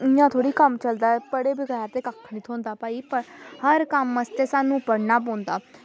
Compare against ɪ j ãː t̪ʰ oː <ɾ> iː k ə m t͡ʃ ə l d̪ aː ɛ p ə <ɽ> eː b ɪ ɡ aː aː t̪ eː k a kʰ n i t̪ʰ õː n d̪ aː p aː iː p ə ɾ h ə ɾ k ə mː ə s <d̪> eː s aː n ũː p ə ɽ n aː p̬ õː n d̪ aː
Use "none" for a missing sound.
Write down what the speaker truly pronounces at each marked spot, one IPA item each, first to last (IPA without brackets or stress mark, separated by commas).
ɽ, ɽ, t̪